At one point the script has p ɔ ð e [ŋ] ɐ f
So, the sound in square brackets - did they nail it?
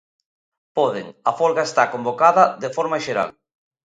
yes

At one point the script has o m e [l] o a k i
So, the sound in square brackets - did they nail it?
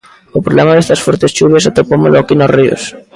yes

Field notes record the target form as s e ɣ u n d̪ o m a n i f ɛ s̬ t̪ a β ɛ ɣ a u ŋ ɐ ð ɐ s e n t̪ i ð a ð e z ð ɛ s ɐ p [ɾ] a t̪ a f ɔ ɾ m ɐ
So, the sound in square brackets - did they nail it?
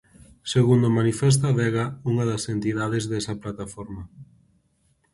no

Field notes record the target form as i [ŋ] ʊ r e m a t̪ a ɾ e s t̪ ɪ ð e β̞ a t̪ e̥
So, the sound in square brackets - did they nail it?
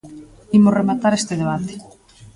no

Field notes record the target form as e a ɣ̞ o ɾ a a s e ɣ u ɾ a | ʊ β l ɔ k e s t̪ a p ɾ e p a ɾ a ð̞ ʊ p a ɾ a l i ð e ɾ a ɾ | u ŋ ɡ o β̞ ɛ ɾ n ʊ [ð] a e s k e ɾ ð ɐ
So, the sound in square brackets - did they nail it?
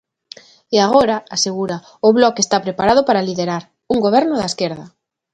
yes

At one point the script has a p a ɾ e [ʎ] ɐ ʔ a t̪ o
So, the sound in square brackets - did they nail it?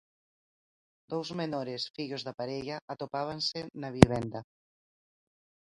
yes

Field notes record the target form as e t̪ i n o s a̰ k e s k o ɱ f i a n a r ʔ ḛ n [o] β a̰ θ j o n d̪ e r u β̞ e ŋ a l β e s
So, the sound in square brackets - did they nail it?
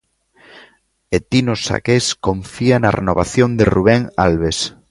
yes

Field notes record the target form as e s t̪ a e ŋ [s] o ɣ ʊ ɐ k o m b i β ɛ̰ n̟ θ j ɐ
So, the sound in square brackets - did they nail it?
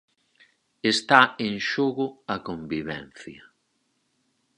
no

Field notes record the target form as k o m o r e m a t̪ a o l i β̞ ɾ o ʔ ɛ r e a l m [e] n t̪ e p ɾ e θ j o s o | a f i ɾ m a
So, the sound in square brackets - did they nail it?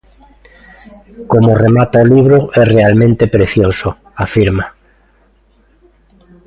no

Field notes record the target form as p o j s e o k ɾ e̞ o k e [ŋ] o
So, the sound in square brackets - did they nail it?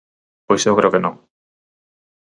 no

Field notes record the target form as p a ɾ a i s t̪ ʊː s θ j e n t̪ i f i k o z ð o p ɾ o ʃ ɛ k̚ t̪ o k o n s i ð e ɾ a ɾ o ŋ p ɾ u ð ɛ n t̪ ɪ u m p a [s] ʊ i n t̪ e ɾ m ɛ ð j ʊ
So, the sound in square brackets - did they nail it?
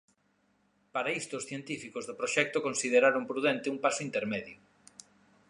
yes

